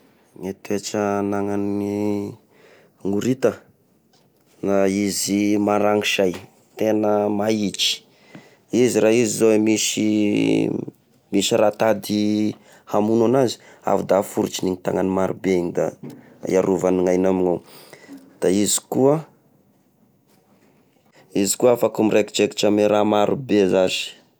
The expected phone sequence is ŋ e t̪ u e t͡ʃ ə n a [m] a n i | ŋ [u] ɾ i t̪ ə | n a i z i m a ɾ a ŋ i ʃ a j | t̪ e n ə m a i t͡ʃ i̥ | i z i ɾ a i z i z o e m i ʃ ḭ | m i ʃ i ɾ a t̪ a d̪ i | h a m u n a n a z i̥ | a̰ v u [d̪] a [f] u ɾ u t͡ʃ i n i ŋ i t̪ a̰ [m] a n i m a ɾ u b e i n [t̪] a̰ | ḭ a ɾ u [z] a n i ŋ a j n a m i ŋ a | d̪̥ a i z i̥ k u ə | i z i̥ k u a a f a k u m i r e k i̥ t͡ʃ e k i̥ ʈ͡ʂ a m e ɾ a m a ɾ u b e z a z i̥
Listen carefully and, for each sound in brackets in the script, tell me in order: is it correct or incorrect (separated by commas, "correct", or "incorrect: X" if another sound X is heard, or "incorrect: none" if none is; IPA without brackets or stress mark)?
incorrect: ŋ, correct, correct, correct, incorrect: ŋ, incorrect: d̪, incorrect: v